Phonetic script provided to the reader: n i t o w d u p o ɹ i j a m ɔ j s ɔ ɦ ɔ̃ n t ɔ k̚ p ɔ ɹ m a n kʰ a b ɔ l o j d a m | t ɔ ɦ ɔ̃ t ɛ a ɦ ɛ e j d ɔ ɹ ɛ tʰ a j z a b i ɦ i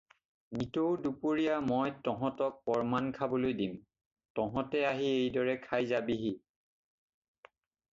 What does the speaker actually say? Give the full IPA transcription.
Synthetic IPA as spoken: n i t o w d u p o ɹ i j a m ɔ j t ɔ ɦ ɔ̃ t ɔ k̚ p ɔ ɹ m a n kʰ a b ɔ l o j d i m | t ɔ ɦ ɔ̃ t ɛ a ɦ i e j d ɔ ɹ ɛ kʰ a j z a b i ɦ i